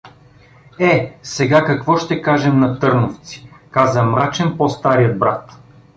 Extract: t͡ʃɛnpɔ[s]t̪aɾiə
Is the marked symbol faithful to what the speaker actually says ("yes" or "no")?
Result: yes